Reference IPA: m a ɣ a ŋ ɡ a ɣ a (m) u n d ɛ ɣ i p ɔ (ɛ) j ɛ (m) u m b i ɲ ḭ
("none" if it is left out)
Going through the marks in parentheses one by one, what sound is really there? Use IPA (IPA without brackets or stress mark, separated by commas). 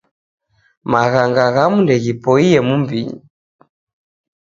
m, i, m